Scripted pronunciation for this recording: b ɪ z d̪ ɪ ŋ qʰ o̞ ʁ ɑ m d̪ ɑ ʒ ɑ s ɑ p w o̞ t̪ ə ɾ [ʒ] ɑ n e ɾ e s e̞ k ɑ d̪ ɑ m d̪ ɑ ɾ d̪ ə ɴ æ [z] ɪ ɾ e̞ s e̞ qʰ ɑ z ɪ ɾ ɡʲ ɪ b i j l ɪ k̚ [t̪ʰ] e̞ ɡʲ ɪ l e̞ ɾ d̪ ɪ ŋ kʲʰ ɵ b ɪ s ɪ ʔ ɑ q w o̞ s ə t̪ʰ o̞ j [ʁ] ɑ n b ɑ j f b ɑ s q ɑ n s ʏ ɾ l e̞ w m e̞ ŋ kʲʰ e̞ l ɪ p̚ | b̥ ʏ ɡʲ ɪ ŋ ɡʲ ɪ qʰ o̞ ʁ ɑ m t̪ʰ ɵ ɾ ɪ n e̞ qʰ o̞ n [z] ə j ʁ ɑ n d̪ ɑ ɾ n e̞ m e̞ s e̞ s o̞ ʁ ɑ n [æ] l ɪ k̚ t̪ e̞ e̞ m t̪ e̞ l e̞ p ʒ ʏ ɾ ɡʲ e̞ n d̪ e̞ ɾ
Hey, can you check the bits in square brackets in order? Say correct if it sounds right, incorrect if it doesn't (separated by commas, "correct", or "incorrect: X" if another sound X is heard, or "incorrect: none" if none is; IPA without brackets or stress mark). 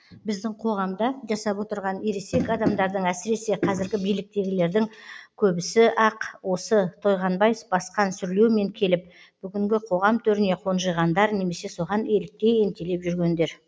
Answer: incorrect: ʁ, incorrect: s, incorrect: t̪, correct, incorrect: ʒ, incorrect: e